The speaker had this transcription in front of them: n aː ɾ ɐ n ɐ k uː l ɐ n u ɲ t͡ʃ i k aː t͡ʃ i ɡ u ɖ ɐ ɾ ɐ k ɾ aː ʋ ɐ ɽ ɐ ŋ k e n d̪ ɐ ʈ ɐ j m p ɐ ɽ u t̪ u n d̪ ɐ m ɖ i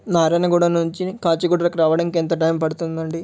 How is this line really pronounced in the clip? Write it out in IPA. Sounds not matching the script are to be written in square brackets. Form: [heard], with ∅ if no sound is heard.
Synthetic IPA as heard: n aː ɾ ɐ n ɐ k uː [ɽ] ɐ n u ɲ t͡ʃ i k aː t͡ʃ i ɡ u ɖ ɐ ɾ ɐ k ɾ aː ʋ ɐ ɽ ɐ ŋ k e n [t̪] ɐ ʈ ɐ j m p ɐ ɽ u t̪ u n d̪ ɐ [ɳ] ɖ i

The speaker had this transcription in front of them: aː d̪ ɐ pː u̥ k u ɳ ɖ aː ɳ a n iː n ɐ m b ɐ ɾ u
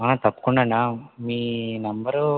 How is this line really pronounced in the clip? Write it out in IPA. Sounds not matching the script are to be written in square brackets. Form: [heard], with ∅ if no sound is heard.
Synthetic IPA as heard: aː [t̪] ɐ pː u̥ k u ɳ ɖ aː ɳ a [m] iː n ɐ m b ɐ ɾ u

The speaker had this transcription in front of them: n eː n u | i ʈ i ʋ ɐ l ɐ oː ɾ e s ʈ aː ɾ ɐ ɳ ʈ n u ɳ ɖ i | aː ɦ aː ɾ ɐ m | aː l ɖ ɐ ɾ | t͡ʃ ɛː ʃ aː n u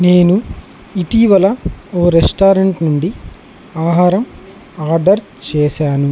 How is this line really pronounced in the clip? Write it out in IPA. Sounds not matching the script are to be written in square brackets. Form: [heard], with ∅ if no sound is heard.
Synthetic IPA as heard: n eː n u | i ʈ i ʋ ɐ l ɐ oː ɾ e s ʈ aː ɾ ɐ ɳ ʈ n u ɳ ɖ i | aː ɦ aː ɾ ɐ m | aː [ɾ] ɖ ɐ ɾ | t͡ʃ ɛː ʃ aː n u

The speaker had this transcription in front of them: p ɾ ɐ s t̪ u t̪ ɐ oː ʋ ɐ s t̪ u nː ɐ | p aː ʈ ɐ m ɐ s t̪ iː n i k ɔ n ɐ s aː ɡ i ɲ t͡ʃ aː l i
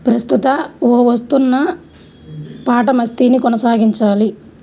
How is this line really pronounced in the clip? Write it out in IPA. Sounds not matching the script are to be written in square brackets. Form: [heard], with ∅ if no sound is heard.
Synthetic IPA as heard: p ɾ ɐ s t̪ u t̪ ɐ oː ʋ ɐ s t̪ u nː ɐ | p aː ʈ ɐ m ɐ s t̪ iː n i k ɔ n ɐ s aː ɡ i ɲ t͡ʃ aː l i

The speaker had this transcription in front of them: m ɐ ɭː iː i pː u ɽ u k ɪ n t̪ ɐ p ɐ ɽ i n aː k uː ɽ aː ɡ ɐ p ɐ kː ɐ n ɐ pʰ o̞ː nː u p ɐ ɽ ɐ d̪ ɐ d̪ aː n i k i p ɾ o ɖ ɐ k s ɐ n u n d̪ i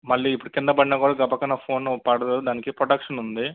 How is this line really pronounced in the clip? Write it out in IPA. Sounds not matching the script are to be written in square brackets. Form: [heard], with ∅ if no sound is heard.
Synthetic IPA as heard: m ɐ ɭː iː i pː u ɽ u k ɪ n [d̪] ɐ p ɐ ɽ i n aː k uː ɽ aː ɡ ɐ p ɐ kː ɐ n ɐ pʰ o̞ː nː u p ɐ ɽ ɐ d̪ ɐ d̪ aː n i k i p ɾ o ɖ ɐ k [ʂ] ɐ n u n d̪ i

